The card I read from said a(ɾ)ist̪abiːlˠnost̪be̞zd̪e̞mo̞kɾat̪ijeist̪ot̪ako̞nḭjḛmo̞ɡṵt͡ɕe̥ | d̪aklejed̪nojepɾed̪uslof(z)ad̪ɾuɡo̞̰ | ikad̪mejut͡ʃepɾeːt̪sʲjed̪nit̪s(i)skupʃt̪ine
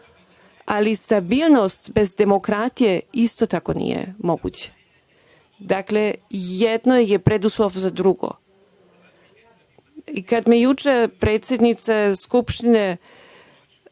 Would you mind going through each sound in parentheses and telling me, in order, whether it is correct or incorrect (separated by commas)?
incorrect, correct, incorrect